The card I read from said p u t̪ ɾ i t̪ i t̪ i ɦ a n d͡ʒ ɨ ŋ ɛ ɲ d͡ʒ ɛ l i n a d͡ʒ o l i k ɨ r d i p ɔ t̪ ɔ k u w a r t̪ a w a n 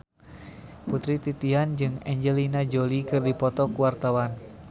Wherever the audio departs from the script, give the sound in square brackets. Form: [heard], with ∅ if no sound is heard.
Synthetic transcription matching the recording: p u t̪ ɾ i t̪ i t̪ i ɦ a n d͡ʒ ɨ ŋ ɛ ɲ d͡ʒ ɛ l i n a d͡ʒ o l i k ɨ r d i p ɔ t̪ ɔ k u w a r t̪ a w a n